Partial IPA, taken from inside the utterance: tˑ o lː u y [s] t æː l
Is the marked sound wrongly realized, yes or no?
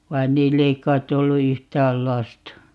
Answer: yes